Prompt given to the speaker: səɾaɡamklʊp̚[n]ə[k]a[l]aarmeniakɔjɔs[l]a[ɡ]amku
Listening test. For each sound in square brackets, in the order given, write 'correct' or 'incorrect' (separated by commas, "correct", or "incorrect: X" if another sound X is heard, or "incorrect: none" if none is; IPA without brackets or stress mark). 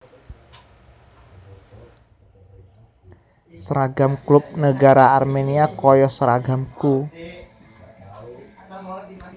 correct, incorrect: ɡ, incorrect: ɾ, incorrect: ɾ, correct